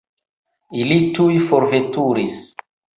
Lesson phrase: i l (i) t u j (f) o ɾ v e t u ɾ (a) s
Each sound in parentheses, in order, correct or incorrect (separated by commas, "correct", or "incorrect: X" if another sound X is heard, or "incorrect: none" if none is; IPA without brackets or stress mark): correct, correct, incorrect: i